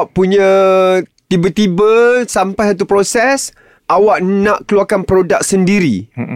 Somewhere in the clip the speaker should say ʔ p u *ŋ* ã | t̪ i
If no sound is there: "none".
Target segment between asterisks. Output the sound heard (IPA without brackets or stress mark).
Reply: ɲ